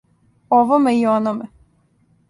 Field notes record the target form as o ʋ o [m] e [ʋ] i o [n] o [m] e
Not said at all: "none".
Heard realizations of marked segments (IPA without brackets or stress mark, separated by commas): m, none, n, m